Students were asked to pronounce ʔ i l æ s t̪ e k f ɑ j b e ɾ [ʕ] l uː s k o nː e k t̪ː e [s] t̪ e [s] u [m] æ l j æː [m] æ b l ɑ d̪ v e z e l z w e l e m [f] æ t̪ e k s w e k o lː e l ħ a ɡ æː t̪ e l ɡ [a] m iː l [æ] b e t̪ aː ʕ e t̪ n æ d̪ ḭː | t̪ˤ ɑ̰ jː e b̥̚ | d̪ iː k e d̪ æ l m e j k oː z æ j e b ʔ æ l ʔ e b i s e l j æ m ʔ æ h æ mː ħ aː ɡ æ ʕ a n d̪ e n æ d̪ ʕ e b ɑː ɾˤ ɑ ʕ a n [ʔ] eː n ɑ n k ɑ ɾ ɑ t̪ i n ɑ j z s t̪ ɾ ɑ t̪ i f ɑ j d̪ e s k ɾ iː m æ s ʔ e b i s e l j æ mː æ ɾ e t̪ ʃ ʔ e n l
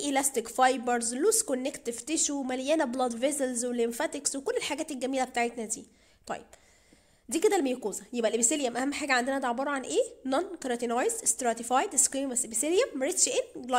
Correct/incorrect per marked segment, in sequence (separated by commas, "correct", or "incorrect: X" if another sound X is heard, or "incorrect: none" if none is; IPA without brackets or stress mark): incorrect: z, incorrect: f, incorrect: ʃ, correct, incorrect: n, correct, incorrect: æ, correct, correct